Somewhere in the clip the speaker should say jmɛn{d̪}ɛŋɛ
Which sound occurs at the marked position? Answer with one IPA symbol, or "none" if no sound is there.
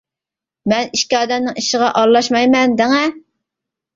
d̪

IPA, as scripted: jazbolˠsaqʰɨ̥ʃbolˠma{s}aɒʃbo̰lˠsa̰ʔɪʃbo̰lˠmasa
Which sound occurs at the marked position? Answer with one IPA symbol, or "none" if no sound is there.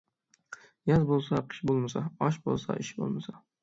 s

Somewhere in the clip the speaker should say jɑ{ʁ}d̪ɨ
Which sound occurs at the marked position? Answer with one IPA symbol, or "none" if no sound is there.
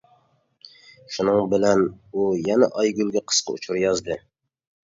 z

